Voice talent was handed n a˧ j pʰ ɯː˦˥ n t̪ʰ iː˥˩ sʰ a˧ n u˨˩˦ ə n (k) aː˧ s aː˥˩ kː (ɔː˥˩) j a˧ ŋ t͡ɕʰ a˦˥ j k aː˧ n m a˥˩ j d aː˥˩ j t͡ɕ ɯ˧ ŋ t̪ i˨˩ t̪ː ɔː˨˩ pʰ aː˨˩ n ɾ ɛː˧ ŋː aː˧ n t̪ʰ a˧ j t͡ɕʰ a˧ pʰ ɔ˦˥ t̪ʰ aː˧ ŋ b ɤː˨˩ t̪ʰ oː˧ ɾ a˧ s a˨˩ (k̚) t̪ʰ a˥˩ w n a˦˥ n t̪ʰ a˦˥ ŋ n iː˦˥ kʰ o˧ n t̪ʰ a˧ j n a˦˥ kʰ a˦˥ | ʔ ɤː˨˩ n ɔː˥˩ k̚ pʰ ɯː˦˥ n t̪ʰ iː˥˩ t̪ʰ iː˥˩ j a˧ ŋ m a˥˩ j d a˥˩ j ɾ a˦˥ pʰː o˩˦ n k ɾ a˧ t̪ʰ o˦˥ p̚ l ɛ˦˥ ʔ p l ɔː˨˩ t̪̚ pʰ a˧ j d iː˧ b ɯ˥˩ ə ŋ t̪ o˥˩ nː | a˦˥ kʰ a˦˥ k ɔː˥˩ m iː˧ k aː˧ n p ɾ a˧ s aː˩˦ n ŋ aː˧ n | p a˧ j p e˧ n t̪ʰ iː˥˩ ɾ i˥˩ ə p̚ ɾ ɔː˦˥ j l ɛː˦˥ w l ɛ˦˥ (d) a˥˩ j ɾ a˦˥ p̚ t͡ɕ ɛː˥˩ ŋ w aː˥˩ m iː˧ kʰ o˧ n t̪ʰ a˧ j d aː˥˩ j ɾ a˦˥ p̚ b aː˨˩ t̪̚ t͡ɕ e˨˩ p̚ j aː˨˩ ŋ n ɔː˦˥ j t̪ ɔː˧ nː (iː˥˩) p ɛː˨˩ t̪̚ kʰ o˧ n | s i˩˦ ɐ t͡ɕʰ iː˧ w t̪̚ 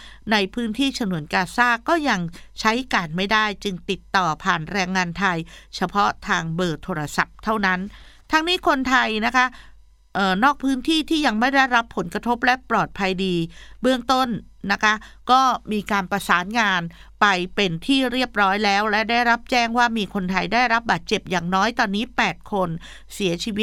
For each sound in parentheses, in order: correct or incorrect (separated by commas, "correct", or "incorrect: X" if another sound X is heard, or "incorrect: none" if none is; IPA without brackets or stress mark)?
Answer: correct, correct, incorrect: p̚, correct, incorrect: iː˦˥